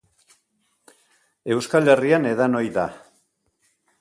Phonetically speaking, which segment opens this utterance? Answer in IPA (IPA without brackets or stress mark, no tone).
e̞